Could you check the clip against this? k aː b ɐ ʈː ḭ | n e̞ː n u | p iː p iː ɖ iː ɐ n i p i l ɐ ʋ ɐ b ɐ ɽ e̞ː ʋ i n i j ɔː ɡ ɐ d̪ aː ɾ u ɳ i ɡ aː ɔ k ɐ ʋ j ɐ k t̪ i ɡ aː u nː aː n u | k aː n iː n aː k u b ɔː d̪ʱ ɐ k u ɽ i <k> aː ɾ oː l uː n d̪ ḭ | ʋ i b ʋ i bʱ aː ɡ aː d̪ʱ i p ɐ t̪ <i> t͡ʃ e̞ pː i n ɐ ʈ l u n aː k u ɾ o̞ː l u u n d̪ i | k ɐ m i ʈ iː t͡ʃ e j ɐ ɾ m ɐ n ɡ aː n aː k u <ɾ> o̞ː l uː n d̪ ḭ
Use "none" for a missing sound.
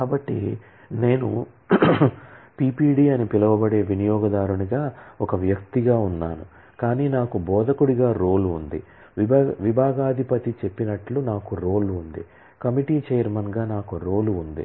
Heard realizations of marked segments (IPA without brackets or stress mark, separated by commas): ɡ, i, ɾ